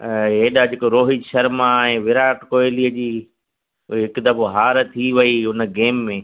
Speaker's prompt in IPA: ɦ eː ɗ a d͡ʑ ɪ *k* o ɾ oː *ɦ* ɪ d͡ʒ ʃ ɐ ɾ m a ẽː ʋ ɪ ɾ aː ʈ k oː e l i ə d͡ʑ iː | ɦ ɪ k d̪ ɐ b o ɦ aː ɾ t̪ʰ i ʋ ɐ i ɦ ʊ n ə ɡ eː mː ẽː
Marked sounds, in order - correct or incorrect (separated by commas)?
correct, correct